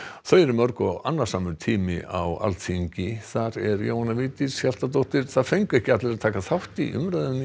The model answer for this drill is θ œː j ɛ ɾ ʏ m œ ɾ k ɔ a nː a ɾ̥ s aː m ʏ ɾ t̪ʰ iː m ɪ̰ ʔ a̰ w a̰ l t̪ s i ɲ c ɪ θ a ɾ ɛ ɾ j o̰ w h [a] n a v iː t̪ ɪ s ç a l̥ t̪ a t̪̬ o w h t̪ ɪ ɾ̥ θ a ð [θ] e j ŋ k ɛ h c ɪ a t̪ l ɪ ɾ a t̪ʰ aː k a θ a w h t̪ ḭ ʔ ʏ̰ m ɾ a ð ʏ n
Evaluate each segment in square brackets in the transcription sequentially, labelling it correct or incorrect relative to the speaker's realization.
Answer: correct, incorrect: f

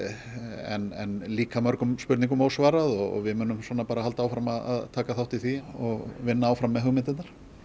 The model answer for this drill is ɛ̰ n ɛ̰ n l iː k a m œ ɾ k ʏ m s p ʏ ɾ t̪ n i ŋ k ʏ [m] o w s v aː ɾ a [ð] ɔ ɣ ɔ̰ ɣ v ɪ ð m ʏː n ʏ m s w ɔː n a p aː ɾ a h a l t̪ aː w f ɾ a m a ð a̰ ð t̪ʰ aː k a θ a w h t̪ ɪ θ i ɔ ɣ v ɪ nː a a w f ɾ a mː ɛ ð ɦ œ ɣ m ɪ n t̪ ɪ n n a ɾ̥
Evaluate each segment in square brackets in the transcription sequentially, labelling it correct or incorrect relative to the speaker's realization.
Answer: correct, correct

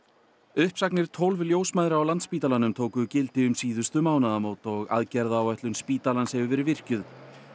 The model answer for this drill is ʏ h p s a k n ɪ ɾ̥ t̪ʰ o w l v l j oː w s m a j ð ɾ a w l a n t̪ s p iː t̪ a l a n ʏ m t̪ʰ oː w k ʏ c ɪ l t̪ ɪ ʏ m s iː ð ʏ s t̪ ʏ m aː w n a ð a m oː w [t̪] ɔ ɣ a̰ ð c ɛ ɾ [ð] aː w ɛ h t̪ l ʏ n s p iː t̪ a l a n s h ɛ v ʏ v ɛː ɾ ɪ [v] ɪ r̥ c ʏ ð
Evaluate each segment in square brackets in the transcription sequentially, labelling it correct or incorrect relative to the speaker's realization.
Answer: correct, correct, correct

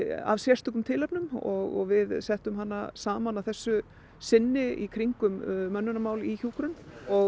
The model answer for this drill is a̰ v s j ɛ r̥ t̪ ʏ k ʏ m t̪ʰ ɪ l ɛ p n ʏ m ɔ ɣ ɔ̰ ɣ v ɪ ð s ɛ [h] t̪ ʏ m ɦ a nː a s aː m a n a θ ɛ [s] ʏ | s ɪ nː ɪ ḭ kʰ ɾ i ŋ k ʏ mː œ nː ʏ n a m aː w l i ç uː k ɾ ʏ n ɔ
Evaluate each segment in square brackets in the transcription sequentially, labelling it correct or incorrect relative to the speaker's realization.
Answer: correct, incorrect: sː

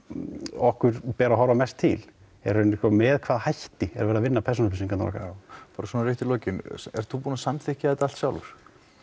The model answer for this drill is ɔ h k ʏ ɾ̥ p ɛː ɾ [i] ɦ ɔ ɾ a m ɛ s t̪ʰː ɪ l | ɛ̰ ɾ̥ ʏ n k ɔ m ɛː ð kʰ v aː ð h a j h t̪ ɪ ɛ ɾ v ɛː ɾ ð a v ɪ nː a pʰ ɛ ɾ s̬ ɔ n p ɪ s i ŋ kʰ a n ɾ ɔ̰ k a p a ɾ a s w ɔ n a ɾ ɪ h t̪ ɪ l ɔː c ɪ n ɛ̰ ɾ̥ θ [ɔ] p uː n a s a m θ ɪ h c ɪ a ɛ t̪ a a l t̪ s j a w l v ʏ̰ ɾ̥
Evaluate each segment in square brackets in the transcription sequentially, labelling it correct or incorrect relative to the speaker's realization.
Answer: incorrect: a, incorrect: u

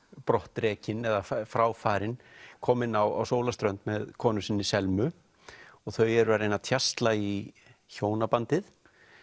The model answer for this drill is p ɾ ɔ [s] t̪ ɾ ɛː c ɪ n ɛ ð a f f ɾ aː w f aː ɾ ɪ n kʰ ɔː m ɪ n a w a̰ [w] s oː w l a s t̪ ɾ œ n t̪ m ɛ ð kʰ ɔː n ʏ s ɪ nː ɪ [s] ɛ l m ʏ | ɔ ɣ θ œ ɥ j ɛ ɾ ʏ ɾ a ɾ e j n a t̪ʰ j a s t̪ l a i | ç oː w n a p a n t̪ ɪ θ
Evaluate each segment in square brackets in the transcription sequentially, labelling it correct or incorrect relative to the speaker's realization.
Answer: incorrect: h, correct, correct

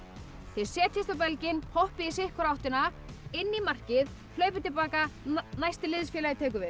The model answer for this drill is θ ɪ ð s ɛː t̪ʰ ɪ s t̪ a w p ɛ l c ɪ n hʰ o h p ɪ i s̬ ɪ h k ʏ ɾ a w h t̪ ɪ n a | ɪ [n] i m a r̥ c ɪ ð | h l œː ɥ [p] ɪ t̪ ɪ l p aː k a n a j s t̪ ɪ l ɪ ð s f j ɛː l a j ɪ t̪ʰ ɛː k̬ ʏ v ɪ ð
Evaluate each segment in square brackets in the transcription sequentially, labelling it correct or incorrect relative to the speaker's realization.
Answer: incorrect: nː, correct

